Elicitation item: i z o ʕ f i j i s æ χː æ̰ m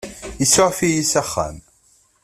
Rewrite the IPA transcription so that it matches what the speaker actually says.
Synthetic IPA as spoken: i s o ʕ f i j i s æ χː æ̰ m